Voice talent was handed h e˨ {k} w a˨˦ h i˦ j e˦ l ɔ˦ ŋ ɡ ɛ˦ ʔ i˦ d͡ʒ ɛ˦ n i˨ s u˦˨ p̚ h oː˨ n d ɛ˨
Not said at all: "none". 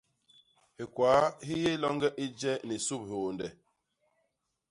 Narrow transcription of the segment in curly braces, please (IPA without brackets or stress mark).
k